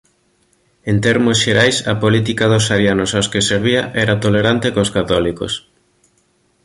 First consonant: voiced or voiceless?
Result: voiced